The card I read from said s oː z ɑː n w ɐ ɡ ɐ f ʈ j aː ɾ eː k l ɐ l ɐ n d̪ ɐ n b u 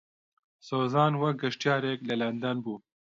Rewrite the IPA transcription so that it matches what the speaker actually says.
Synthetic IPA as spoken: s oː z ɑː n w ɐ ɡ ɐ ʂ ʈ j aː ɾ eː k l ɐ l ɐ n d̪ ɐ n b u